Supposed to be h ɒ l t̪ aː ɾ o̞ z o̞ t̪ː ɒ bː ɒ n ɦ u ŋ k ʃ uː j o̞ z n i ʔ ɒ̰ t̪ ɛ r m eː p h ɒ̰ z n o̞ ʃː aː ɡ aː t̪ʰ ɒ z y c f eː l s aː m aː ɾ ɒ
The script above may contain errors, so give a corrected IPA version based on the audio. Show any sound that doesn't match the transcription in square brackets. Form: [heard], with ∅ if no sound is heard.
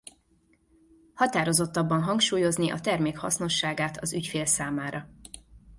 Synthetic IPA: h ɒ [∅] t̪ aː ɾ o̞ z o̞ t̪ː ɒ bː ɒ n ɦ [ɒ] ŋ k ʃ uː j o̞ z n i ʔ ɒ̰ t̪ ɛ r m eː [k] h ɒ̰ [s] n o̞ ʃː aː ɡ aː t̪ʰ ɒ z y c f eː l s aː m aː ɾ ɒ